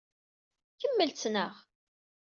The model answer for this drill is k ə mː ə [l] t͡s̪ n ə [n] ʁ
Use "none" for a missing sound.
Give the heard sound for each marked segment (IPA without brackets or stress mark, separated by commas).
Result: l, none